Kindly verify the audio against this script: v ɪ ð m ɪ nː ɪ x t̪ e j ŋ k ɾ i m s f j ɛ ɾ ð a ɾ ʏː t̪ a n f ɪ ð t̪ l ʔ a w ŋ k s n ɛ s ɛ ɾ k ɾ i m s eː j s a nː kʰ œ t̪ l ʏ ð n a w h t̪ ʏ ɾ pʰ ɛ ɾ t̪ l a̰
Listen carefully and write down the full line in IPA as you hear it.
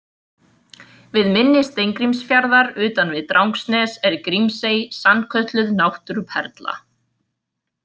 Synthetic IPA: v ɪ ð m ɪ nː ɪ s t̪ e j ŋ k ɾ i m s f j a ɾ ð a ɾ ʏː t̪ a n v ɪ ð t̪ ɾ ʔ a w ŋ k s n ɛ s ɛ ɾ k ɾ i m s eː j s a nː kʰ œ t̪ l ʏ ð n a w h t̪ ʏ ɾ pʰ ɛ ɾ t̪ l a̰